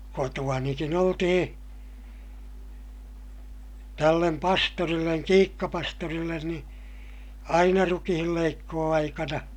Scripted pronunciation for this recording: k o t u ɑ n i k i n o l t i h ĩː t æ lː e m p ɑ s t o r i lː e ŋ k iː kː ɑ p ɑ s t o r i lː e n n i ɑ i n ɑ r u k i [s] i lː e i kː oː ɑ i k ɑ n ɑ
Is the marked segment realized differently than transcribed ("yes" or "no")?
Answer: yes